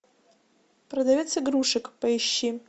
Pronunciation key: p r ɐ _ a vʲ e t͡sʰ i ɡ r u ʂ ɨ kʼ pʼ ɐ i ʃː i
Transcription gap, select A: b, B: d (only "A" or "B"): B